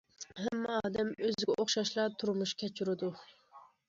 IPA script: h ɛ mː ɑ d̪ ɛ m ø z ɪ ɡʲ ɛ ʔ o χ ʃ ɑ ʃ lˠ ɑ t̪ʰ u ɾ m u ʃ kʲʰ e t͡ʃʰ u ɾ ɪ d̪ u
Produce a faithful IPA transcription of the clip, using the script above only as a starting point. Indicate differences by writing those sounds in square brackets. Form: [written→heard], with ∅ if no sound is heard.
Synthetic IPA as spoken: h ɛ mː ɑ d̪ ɛ m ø z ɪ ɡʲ ɛ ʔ o χ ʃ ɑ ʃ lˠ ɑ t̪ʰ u ɾ m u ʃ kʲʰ [e→ɛ] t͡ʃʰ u ɾ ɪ d̪ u